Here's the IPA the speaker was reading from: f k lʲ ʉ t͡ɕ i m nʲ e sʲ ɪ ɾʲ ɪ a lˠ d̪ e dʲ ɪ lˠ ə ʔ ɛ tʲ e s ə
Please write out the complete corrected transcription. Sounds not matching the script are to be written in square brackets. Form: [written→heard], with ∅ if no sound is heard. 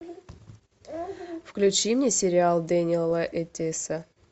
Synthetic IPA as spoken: f k lʲ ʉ t͡ɕ i m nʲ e sʲ ɪ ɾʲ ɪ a lˠ d̪ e [dʲ→nʲ] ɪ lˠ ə ʔ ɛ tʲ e s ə